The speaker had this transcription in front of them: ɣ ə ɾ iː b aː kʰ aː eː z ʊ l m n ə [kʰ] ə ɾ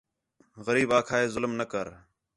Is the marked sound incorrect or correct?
incorrect